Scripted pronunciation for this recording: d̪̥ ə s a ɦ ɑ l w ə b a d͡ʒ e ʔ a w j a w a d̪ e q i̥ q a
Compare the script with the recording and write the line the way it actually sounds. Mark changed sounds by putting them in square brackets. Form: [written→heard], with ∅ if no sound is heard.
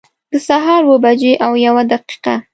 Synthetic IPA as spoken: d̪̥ ə s a ɦ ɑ [l→ɾ] w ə b a d͡ʒ e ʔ a w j a w a d̪ [e→a] q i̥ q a